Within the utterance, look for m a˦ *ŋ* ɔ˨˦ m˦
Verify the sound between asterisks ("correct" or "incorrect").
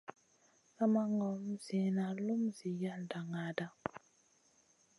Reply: correct